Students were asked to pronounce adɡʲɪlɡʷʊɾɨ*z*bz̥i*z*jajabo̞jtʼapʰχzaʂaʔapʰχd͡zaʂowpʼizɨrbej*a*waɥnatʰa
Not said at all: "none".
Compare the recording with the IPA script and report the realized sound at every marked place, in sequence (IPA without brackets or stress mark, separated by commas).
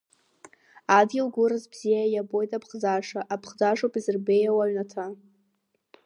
z, none, a